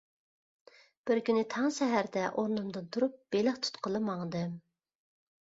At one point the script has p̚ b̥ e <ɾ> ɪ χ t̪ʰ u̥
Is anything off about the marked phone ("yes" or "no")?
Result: yes